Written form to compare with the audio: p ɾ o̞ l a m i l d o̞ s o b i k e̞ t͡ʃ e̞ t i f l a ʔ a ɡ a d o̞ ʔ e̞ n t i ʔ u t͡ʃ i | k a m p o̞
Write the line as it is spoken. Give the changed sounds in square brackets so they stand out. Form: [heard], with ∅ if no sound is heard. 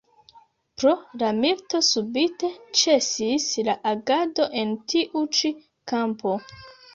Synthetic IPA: p ɾ o̞ l a m i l [t] o̞ s [u] b i [t] e̞ t͡ʃ e̞ [s] i [s] l a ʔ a ɡ a d o̞ ʔ e̞ n t i ʔ u t͡ʃ i | k a m p o̞